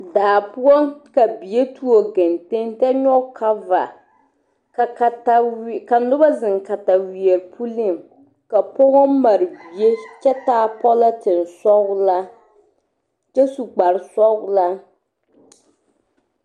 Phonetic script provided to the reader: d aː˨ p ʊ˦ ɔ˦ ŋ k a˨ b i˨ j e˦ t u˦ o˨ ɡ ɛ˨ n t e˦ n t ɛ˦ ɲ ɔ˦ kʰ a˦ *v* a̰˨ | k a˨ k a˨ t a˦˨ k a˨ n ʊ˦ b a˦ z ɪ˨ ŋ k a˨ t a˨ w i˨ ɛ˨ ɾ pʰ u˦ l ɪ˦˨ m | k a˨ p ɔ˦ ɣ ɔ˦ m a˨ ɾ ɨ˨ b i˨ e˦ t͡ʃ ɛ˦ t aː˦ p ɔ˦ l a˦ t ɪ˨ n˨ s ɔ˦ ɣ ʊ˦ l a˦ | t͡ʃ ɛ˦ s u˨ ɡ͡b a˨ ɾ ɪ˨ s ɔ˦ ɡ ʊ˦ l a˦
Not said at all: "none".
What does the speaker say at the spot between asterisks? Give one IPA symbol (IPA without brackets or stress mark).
v